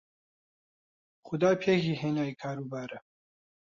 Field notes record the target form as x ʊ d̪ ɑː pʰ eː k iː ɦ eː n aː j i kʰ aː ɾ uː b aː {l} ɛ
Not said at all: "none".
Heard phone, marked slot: ɾ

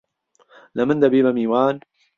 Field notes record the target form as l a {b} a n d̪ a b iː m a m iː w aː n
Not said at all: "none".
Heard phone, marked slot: m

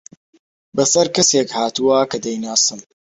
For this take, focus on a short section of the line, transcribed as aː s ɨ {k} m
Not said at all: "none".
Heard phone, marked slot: none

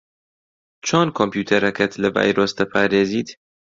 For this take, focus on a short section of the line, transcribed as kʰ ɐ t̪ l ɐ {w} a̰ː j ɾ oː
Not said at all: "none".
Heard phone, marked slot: v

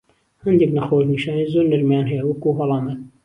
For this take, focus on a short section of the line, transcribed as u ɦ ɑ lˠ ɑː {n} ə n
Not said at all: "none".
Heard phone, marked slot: m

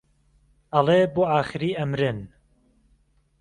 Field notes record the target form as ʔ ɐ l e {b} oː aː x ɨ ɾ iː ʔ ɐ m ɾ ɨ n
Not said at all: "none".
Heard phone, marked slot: b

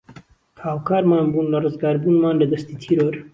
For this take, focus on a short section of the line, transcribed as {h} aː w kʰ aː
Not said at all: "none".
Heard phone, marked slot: h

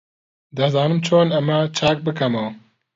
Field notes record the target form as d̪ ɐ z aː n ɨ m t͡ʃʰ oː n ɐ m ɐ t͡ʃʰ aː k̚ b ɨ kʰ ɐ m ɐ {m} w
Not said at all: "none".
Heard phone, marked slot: none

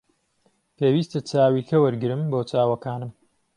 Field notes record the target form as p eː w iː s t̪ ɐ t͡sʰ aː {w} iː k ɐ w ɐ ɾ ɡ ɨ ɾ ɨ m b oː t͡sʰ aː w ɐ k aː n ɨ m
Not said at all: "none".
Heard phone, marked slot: w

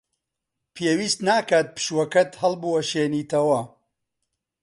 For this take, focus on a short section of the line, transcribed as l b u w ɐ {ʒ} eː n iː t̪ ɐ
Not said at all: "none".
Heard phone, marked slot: ʃ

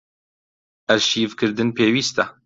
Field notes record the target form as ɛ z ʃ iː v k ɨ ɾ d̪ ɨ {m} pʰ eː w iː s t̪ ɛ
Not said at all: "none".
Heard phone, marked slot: n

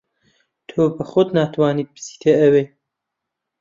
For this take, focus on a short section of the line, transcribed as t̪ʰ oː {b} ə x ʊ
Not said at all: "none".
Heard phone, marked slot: b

